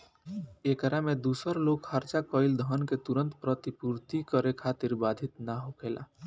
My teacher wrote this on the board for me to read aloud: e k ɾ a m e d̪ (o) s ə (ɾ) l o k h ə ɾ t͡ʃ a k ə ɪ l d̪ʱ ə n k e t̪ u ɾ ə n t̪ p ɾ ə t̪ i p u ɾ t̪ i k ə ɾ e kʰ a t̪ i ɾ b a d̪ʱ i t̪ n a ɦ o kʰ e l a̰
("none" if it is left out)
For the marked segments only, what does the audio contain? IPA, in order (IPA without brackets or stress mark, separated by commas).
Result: u, ɾ